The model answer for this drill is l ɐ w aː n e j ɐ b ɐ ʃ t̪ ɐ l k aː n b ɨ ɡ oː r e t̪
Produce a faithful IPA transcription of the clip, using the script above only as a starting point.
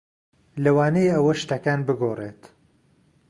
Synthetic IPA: l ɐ w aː n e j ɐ w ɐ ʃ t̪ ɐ k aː n b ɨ ɡ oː r e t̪

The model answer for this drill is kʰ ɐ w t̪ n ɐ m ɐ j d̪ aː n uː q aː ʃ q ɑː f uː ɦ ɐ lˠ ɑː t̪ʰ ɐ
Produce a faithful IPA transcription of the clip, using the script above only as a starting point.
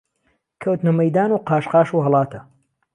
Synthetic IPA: kʰ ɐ w t̪ n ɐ m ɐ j d̪ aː n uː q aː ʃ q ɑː ʃ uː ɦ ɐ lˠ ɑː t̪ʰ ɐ

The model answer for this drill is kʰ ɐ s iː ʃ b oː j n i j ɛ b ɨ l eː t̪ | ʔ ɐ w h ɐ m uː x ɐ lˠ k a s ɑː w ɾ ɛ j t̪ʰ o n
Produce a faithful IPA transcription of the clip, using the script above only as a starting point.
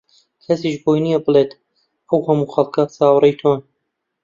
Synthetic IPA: kʰ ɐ s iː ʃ b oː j n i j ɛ b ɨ l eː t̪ | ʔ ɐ w h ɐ m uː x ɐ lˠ k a s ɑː w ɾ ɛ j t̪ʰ o n

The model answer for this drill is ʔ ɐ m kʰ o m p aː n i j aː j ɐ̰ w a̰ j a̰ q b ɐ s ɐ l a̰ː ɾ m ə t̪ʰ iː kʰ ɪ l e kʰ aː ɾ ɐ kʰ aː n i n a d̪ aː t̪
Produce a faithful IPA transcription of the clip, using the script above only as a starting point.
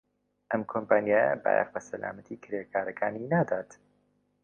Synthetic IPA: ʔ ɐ m kʰ o m p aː n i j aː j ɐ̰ b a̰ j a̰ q b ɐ s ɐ l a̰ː m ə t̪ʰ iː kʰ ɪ ɾ e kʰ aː ɾ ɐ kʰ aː n i n a d̪ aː t̪

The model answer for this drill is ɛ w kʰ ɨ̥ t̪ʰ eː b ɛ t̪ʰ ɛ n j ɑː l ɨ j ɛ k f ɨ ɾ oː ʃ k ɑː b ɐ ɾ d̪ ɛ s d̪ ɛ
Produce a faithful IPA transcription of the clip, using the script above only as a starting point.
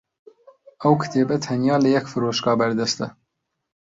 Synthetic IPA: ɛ w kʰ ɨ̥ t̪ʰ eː b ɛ t̪ʰ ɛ n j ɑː l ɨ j ɛ k f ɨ ɾ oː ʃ k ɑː b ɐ ɾ d̪ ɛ s t̪ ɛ

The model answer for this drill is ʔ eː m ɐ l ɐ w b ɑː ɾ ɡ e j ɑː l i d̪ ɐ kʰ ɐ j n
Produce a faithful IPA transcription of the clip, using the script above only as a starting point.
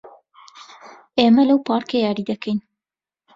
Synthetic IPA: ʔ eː m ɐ l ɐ w p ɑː ɾ k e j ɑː ɾ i d̪ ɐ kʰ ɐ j n

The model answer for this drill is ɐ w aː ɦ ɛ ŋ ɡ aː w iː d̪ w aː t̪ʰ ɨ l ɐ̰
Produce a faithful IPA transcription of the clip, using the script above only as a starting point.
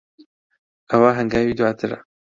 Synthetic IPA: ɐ w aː ɦ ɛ ŋ ɡ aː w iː d̪ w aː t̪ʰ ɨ ɾ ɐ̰

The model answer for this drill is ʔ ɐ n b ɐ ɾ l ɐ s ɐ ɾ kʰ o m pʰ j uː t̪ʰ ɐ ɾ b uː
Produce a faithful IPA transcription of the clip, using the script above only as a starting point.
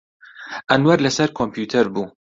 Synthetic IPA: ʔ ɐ n w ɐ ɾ l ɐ s ɐ ɾ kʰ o m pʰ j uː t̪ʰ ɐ ɾ b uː

